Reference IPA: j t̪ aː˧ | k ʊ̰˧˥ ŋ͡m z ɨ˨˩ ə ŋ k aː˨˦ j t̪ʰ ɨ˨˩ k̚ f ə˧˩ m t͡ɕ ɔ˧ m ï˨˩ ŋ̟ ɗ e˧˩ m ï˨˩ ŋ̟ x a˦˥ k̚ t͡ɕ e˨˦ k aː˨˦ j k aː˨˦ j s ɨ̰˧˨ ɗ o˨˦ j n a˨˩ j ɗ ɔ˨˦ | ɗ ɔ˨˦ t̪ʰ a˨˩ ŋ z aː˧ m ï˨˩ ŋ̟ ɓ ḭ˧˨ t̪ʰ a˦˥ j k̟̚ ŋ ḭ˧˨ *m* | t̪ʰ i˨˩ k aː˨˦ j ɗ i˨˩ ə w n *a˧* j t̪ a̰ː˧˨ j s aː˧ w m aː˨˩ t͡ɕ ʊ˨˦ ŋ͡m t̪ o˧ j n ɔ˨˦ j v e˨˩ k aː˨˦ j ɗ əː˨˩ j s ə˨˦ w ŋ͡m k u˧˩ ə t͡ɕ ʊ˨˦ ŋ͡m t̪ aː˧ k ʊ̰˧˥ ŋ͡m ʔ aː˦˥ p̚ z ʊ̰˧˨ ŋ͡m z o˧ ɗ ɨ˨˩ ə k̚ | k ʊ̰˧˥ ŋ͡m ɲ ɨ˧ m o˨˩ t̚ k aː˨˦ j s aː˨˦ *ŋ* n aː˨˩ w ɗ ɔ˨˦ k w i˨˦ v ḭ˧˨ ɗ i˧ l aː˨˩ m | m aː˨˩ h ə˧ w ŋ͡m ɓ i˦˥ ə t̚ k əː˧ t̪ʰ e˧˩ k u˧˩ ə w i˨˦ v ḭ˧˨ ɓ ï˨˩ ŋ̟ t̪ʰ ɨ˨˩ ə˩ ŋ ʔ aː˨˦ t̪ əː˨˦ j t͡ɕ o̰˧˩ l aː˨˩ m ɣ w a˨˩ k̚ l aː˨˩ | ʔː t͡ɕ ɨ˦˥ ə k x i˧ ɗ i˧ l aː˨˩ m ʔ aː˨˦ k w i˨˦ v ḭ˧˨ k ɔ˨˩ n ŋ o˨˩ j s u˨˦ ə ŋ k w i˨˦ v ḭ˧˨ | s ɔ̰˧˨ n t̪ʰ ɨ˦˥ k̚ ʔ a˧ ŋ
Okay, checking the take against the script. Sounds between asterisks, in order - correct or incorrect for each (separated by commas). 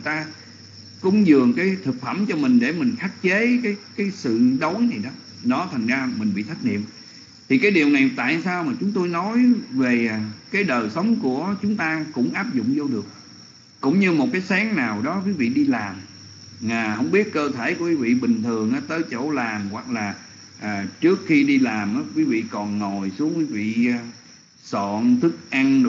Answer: correct, incorrect, correct